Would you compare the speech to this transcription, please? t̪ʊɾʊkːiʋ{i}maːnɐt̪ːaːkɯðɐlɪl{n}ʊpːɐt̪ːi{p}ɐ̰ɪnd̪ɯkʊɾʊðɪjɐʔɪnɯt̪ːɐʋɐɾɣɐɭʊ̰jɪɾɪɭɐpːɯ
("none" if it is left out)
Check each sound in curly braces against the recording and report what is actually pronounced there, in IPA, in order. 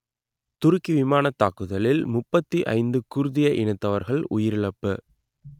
ɪ, m, ʔ

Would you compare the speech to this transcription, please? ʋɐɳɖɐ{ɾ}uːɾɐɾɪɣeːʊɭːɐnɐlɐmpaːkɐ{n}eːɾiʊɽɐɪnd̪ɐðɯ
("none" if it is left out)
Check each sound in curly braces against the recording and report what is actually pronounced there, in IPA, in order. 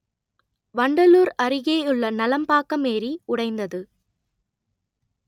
l, m

